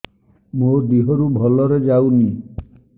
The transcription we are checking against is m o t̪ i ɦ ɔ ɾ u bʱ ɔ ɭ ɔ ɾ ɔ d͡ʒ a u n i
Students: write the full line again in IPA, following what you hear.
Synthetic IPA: m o d̪ i ɦ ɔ ɾ u bʱ ɔ l ɔ ɾ ɔ d͡ʒ a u n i